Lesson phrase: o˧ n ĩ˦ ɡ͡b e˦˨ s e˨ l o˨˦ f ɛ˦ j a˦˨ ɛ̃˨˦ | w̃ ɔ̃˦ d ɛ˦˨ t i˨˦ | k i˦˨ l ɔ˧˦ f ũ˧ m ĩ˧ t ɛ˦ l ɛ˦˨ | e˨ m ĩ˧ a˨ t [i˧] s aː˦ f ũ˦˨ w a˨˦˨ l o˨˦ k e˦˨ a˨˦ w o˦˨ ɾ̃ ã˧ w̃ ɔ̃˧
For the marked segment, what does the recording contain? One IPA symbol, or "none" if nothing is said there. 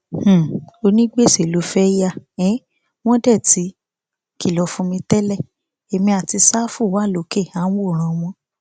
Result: i˧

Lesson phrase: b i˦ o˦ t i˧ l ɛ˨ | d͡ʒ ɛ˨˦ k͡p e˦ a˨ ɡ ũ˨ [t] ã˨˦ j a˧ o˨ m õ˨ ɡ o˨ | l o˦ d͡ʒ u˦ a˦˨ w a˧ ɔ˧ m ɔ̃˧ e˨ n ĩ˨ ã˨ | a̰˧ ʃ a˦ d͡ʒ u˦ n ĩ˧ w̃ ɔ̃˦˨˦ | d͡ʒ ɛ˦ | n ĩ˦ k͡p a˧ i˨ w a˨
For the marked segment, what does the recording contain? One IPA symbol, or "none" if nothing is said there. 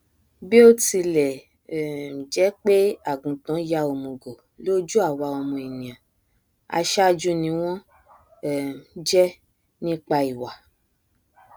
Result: t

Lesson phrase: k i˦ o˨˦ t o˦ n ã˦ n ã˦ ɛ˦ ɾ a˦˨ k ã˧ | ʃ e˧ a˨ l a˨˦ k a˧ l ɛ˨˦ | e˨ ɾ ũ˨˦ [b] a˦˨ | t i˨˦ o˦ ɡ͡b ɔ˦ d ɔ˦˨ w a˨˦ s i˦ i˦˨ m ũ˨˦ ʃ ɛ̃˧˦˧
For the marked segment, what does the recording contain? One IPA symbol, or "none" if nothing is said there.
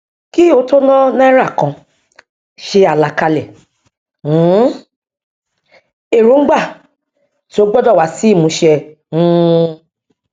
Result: ɡ͡b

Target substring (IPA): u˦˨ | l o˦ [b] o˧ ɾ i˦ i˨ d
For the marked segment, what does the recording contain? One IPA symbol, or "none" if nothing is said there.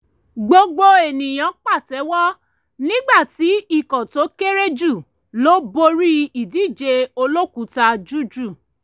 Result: b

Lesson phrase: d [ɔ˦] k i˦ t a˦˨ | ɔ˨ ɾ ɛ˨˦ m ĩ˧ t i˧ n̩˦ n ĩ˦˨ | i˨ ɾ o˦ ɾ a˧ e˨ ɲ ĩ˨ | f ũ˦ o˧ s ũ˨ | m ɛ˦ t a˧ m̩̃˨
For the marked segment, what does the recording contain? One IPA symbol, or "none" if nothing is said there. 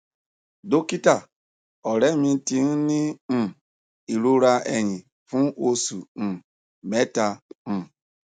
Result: o˦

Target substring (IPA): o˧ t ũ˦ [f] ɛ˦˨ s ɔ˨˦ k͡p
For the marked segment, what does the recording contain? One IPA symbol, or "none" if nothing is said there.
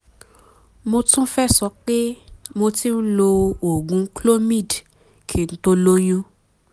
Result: f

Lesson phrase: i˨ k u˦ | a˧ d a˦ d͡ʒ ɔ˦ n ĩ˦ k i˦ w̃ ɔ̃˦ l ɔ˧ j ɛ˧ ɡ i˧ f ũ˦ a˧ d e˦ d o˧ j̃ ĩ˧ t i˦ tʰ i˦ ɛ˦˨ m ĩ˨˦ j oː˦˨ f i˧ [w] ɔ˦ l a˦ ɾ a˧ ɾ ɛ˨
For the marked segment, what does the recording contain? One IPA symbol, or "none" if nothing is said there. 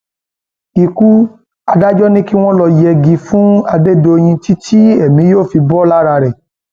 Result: b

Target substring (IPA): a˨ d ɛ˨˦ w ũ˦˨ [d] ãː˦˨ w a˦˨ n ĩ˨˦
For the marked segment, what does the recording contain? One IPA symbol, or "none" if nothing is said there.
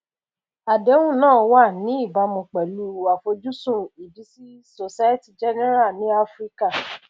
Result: n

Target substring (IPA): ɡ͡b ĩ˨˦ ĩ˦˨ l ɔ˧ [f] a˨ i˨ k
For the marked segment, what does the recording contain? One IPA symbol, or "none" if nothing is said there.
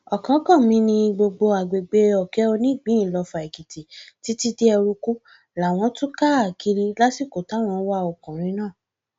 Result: f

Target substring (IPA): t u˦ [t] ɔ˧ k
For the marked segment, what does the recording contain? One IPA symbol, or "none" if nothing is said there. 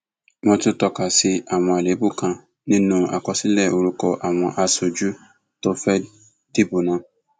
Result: t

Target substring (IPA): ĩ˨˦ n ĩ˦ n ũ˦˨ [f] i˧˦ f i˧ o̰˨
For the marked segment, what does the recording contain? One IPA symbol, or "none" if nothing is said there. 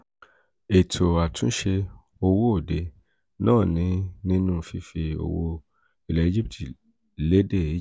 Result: f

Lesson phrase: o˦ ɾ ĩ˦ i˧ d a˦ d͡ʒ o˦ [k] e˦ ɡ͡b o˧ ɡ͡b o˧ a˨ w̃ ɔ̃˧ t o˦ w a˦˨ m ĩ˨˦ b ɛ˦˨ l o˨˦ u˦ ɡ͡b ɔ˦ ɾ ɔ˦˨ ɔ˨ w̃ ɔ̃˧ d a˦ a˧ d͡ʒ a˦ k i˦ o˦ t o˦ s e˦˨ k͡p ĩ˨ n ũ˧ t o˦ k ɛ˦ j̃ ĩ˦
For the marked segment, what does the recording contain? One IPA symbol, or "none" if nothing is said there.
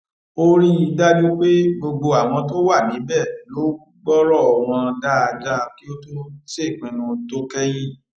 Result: k͡p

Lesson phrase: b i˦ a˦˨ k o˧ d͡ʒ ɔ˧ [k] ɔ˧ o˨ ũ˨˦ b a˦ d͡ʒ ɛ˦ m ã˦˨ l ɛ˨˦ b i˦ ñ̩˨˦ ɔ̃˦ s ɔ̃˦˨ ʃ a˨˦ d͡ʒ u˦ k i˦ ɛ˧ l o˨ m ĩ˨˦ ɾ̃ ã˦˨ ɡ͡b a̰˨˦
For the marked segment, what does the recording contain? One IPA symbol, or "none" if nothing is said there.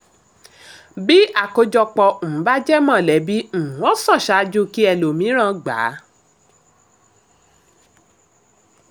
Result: k͡p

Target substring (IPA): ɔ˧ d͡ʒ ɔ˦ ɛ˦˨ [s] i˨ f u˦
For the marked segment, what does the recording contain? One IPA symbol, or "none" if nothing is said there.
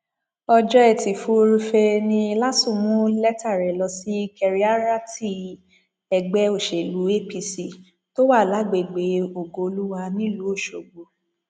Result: t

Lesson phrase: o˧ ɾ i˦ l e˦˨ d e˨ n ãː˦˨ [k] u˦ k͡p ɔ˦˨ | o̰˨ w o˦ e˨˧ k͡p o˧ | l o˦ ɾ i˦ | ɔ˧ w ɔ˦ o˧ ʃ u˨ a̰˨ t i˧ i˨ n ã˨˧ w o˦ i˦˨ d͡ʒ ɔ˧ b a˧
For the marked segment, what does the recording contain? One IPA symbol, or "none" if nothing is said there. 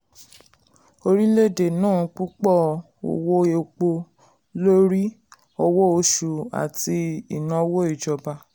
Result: k͡p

